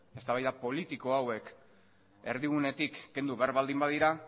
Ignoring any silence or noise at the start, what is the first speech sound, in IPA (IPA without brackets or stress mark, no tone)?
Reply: e̞